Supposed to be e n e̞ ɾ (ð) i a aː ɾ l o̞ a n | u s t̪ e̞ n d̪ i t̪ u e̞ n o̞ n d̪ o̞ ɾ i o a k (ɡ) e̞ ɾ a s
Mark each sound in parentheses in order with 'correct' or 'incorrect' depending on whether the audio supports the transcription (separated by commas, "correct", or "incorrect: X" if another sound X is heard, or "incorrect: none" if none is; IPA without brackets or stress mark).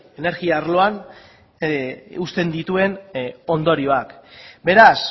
incorrect: ɣ, incorrect: b